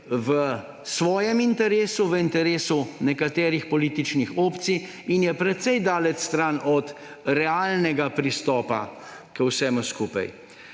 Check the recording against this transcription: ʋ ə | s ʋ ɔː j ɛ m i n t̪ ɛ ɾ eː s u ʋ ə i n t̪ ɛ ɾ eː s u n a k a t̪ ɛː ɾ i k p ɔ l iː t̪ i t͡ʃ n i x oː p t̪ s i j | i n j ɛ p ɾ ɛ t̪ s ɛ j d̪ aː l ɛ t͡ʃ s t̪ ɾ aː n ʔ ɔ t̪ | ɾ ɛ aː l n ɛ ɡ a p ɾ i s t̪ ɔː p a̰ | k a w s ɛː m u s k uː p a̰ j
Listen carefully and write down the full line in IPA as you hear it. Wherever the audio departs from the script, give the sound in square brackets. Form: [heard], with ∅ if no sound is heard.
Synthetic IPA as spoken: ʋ ə | s ʋ ɔː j ɛ m i n t̪ ɛ ɾ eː s u ʋ ə i n t̪ ɛ ɾ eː s u n [ɛ] k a t̪ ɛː ɾ i [x] p ɔ l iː t̪ i t͡ʃ n i x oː p t̪ s i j | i n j ɛ p ɾ ɛ t̪ s ɛ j d̪ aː l ɛ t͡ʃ s t̪ ɾ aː n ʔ ɔ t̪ | ɾ ɛ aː l n ɛ ɡ a p ɾ i s t̪ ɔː p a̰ | k [ə] w s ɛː m u s k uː p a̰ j